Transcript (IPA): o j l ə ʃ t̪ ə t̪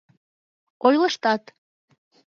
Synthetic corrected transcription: o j l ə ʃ t̪ ɑ t̪